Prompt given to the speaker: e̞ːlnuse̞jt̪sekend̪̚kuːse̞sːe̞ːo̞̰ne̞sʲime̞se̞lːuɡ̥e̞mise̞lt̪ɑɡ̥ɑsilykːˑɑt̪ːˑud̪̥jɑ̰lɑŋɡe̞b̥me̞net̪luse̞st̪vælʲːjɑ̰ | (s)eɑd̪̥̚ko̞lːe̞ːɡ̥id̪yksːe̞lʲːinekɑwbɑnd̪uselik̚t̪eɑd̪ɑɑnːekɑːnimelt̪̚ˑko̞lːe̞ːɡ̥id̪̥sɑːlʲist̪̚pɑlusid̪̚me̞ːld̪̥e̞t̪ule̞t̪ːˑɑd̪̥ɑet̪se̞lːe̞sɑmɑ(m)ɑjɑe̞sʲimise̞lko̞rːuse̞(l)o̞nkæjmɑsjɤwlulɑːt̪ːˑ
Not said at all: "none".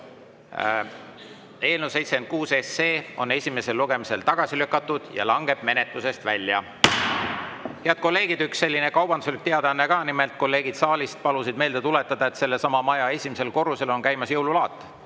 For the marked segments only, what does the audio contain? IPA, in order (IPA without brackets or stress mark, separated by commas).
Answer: h, m, l